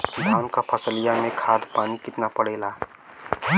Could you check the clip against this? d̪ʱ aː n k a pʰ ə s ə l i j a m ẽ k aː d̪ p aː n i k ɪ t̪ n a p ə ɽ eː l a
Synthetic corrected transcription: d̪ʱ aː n k a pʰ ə s ə l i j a m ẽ kʰ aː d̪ p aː n i k ɪ t̪ n a p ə ɽ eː l a